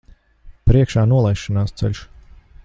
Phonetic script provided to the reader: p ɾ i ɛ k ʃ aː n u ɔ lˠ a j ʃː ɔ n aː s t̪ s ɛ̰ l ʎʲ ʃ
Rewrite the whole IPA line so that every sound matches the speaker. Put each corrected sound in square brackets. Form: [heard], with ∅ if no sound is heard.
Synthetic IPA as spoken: p ɾ i ɛ k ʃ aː n u ɔ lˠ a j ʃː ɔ n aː s t̪ s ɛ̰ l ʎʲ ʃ